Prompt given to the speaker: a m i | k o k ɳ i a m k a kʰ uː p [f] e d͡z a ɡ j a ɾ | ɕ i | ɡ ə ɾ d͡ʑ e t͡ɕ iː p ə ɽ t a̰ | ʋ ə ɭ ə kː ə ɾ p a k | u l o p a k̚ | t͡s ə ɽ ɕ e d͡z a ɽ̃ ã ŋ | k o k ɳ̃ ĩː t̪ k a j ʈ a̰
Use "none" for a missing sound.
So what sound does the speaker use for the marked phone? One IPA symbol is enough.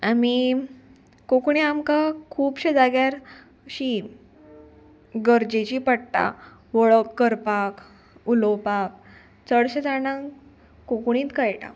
ɕ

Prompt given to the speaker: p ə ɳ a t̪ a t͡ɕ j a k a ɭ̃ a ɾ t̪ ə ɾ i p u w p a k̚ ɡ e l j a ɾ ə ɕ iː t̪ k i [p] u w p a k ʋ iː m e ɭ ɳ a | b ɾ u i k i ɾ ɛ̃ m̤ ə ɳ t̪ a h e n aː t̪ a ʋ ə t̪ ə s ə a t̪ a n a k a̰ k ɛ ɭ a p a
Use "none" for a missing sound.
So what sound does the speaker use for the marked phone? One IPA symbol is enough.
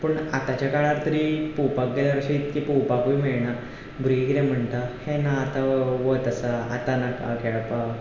p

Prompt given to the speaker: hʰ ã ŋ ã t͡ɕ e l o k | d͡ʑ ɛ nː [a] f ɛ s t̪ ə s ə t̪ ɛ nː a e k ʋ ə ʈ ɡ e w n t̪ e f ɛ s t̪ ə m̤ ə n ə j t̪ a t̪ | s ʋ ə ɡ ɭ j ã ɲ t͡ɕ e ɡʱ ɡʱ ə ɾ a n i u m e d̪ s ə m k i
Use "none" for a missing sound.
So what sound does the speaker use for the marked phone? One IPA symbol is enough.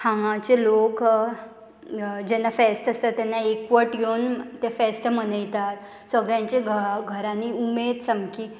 a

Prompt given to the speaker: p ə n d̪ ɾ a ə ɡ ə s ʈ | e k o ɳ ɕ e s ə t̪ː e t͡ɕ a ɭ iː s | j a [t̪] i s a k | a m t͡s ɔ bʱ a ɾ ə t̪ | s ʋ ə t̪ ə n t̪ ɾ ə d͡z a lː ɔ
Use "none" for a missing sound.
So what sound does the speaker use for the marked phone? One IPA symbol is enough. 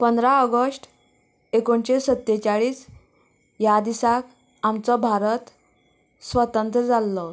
d̪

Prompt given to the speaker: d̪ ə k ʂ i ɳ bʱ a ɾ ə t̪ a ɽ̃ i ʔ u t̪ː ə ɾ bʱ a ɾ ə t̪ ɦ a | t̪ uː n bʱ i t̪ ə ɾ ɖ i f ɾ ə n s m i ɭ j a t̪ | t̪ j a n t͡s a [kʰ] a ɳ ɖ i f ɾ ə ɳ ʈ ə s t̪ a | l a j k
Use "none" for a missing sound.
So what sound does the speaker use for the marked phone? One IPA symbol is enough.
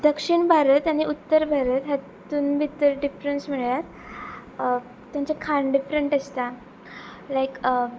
kʰ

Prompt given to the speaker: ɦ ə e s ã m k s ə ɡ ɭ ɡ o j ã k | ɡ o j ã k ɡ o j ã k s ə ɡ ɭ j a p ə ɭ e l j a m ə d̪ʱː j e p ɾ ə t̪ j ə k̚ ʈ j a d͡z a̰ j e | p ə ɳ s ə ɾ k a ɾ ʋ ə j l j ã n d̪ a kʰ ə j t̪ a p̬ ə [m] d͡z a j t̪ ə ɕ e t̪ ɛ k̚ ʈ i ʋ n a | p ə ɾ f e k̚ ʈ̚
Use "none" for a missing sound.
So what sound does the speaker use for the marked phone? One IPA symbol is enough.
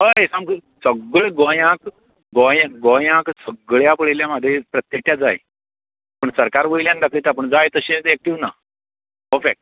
ɳ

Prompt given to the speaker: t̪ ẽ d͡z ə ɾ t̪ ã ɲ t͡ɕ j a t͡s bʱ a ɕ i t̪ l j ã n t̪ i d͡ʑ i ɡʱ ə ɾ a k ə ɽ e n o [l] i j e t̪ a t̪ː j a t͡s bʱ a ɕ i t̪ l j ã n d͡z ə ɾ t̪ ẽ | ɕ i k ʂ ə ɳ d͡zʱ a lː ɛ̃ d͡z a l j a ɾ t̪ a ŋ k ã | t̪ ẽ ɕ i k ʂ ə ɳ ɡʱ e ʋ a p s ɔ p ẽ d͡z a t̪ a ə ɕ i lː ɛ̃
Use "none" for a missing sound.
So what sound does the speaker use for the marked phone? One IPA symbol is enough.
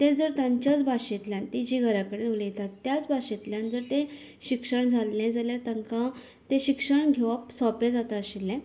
l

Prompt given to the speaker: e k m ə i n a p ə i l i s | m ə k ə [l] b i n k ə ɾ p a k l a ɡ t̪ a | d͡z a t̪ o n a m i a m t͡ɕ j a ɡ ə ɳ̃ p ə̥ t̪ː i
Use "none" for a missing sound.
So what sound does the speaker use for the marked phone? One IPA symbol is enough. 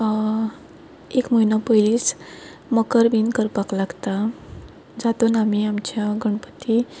ɾ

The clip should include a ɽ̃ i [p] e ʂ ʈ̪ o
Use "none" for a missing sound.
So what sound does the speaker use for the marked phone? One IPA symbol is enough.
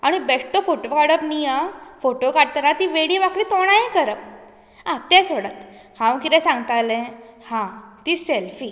b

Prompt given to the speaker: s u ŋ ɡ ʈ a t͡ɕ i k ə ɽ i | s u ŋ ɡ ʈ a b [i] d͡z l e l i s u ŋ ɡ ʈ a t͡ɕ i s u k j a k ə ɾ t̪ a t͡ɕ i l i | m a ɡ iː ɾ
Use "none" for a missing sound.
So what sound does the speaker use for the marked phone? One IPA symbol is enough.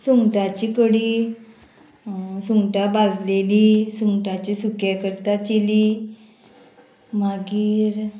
a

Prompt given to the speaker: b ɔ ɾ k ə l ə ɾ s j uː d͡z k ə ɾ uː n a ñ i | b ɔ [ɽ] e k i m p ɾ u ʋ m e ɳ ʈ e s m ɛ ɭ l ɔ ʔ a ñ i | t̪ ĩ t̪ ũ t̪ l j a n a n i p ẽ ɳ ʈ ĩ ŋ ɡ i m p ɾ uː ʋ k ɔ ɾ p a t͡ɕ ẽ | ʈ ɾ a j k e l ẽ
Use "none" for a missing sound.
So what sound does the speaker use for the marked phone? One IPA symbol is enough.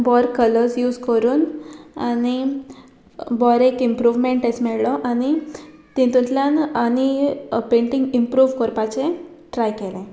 ɾ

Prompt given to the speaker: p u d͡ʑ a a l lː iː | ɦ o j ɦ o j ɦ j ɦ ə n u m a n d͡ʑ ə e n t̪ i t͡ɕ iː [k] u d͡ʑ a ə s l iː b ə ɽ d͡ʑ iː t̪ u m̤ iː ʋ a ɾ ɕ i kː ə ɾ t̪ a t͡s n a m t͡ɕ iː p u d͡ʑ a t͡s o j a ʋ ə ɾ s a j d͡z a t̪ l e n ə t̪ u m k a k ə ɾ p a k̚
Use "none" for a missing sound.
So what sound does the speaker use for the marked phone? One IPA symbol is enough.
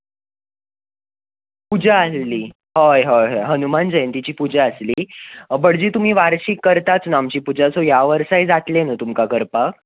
p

